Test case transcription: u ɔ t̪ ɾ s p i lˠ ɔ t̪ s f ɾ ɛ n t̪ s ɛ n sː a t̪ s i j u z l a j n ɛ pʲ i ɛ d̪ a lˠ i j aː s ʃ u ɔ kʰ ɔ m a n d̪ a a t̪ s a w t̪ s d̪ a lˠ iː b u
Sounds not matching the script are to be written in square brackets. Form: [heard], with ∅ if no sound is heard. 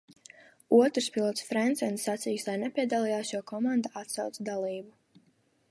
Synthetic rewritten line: u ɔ t̪ ɾ s p i lˠ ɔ t̪ s f ɾ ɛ n t̪ s ɛ n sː a t̪ s i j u [s] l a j n ɛ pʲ i ɛ d̪ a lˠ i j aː s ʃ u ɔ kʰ ɔ m a n d̪ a a t̪ s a w t̪ s d̪ a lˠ iː b u